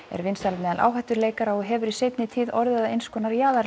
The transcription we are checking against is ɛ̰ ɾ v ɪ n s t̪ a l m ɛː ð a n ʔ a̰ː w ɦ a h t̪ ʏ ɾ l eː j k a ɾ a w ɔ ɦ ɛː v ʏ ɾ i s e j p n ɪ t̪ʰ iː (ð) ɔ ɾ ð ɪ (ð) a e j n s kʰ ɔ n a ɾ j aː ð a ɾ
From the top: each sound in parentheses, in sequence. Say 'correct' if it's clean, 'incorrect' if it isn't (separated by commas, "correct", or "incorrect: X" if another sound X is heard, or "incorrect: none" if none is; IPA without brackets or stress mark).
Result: correct, correct